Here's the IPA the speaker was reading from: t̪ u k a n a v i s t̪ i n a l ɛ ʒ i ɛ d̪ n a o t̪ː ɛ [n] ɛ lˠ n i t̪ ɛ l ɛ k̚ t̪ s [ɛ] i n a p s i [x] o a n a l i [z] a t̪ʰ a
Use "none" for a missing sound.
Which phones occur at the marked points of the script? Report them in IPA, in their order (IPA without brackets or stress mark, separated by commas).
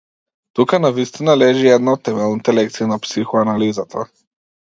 m, i, x, z